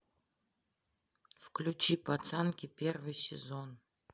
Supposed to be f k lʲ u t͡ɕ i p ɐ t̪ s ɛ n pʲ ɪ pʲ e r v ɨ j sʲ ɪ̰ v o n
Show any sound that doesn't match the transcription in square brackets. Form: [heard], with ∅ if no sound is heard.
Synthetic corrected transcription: f k lʲ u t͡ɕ i p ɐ t̪ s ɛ n [kʲ] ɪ pʲ e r v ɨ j sʲ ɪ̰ [z] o n